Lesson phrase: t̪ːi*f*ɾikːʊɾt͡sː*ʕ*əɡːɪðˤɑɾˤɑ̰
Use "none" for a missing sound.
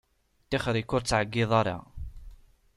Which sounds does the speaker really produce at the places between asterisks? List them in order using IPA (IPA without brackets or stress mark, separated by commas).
χ, ʕ